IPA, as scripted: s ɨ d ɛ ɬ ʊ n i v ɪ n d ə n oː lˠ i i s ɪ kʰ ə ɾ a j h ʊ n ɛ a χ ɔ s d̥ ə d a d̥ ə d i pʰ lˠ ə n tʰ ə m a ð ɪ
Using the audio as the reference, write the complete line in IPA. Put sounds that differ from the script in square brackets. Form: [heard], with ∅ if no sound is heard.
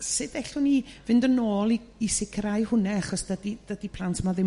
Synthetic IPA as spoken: s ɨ d ɛ ɬ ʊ n i v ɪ n d ə n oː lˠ i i s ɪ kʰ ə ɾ a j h ʊ n ɛ a χ ɔ s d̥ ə d [i] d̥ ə d i pʰ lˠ [a] n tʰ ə m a ð ɪ